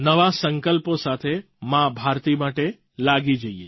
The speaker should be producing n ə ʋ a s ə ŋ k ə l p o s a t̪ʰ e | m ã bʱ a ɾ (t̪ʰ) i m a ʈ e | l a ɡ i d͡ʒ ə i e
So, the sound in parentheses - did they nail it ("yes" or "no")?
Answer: no